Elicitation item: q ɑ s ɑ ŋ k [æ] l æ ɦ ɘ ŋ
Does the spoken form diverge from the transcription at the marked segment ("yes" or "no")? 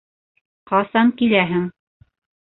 yes